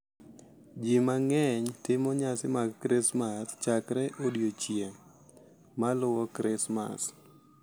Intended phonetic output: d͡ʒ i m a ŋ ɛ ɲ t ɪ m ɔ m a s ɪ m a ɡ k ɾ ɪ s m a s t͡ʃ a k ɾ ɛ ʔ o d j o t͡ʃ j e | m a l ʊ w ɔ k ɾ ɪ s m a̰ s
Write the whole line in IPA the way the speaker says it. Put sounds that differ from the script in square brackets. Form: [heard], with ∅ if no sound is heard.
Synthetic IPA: d͡ʒ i m a ŋ ɛ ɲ t ɪ m ɔ [ɲ] a s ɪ m a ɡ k ɾ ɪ s m a s t͡ʃ a k ɾ ɛ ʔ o d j o t͡ʃ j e | m a l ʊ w ɔ k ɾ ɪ s m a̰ s